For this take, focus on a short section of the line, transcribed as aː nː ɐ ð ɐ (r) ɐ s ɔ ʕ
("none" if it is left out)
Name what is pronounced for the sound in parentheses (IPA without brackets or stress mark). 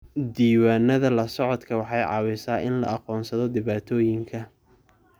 l